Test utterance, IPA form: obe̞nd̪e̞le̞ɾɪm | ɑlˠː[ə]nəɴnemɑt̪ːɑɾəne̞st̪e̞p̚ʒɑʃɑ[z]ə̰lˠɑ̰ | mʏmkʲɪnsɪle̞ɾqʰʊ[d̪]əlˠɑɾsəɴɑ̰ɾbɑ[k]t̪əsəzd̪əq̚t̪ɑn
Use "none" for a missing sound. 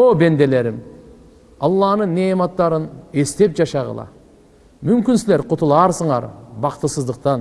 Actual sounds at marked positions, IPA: ɑ, ʁ, t̪, q

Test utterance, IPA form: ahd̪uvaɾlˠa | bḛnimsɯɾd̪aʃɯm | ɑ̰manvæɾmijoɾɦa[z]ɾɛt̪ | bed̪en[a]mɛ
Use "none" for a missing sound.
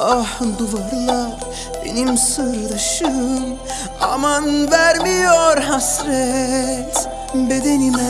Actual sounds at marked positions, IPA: s, i

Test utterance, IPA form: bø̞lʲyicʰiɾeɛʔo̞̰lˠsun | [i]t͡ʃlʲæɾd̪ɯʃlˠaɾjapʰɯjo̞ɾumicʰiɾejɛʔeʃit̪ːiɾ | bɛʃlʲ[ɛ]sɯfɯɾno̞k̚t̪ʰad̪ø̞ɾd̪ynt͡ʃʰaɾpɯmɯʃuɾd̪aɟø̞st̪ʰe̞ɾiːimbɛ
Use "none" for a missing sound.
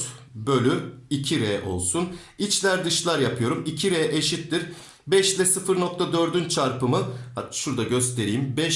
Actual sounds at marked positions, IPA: i, ɛ

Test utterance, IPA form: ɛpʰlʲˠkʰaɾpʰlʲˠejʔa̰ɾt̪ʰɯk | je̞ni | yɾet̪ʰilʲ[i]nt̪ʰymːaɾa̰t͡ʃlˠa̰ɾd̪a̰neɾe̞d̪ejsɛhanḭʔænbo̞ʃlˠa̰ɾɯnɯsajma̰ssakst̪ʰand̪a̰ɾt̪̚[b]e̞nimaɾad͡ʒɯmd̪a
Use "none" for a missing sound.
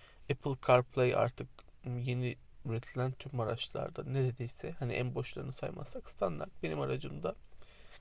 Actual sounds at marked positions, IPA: æ, b

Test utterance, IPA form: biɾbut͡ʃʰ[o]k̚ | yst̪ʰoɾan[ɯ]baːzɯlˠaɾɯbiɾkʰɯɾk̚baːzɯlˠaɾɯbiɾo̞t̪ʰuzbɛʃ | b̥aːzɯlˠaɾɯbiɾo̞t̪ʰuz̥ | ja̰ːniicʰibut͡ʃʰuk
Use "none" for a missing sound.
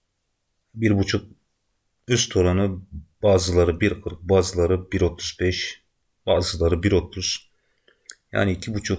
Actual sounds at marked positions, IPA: u, ɯ

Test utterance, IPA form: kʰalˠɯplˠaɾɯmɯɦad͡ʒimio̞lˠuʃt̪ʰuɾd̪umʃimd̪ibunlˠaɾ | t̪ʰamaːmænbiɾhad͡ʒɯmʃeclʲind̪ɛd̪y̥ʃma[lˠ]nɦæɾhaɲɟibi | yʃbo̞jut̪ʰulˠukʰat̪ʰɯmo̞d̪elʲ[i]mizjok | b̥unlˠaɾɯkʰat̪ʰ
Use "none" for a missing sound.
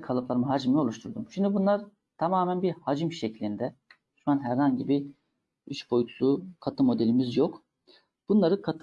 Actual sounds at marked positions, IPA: none, i

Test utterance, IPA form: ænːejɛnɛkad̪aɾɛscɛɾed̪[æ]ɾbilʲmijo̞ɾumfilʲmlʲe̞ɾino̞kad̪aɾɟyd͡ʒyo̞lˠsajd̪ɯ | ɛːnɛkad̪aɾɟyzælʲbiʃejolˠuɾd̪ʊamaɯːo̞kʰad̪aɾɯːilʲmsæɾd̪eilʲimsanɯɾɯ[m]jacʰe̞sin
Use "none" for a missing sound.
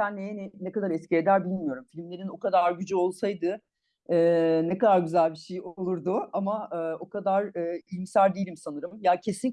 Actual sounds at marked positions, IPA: æ, m

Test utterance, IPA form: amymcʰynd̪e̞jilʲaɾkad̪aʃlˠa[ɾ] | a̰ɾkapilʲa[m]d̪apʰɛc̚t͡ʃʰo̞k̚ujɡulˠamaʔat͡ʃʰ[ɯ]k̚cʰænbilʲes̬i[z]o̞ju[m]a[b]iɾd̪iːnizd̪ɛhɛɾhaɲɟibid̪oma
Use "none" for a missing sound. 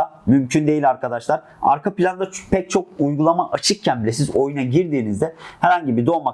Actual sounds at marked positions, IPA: ɾ, n, ɯ, z, n, ɟ

